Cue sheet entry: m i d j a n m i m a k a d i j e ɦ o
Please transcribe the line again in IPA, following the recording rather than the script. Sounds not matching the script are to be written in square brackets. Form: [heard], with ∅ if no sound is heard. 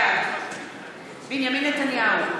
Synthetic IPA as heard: [b] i [n] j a [∅] m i [n] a [t] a [n] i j [a] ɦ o